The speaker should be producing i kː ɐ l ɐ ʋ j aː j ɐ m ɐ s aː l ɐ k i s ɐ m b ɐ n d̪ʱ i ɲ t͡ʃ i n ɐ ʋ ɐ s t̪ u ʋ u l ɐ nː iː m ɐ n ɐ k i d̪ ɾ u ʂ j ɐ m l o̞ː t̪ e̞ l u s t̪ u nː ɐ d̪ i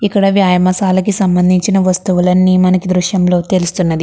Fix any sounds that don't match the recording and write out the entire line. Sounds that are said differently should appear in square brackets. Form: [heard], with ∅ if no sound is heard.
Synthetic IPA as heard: i kː ɐ [ɽ] ɐ ʋ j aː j ɐ m ɐ s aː l ɐ k i s ɐ m b ɐ n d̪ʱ i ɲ t͡ʃ i n ɐ ʋ ɐ s t̪ u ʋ u l ɐ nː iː m ɐ n ɐ k i d̪ ɾ u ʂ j ɐ m l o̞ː t̪ e̞ l u s t̪ u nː ɐ d̪ i